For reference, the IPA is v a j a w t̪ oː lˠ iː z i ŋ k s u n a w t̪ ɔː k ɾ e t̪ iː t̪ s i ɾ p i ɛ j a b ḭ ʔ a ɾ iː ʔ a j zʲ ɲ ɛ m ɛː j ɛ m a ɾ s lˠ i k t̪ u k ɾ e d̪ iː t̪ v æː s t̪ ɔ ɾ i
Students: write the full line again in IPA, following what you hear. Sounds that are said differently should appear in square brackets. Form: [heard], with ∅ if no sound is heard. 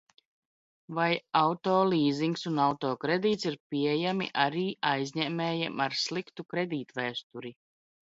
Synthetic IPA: v a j a w t̪ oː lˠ iː z i ŋ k s u n a w t̪ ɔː k ɾ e [d̪] iː t̪ s i ɾ p i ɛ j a [m] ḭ ʔ a ɾ iː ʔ a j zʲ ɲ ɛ m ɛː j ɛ m a ɾ s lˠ i k t̪ u k ɾ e d̪ iː t̪ v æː s t̪ [u] ɾ i